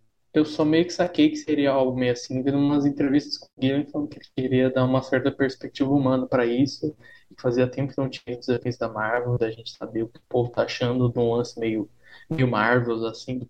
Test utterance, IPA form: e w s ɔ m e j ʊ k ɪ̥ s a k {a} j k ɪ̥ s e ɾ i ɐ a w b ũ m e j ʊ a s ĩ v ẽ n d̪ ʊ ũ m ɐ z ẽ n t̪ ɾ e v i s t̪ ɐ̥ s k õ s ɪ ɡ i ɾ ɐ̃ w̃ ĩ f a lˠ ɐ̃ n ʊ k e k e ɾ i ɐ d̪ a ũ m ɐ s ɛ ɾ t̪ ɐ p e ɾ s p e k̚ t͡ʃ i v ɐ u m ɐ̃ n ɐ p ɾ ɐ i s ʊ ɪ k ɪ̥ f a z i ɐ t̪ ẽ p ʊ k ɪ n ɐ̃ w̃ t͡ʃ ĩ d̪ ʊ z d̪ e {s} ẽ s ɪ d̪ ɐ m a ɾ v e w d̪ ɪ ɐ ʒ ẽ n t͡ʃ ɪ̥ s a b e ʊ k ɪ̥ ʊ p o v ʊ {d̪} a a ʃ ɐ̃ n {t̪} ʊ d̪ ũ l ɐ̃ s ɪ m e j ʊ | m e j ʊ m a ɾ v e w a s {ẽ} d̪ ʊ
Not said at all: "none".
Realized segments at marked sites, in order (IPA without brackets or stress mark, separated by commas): e, f, t̪, d̪, ĩ